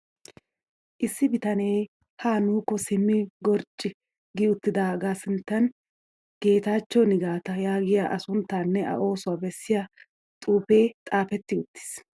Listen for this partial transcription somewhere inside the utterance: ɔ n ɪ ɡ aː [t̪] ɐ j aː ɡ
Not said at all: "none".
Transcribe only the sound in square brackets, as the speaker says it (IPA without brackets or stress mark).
t̪